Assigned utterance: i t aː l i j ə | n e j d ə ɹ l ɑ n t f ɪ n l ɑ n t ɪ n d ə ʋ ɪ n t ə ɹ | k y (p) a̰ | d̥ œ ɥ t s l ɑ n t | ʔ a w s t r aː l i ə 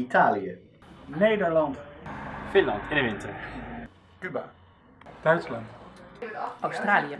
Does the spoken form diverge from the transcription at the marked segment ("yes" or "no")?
yes